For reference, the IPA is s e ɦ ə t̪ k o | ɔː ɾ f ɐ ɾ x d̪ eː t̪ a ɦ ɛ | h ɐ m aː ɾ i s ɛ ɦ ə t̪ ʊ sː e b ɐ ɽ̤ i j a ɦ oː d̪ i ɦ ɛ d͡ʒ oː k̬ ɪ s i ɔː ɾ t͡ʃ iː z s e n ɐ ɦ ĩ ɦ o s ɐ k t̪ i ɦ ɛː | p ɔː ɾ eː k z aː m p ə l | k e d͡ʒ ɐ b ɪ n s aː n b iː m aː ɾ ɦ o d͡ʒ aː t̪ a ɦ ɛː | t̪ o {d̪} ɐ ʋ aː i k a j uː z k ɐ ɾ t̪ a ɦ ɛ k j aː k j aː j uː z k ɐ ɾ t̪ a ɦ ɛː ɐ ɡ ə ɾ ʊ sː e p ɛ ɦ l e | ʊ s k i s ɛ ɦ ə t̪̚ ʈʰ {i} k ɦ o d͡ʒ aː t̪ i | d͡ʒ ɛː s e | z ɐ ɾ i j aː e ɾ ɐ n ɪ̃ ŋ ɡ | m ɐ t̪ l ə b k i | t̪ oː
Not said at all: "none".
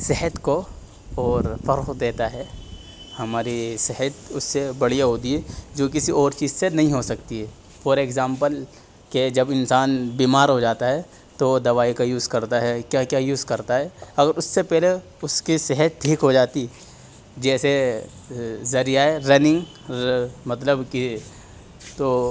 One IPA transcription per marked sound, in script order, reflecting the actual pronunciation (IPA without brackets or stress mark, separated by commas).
d̪, iː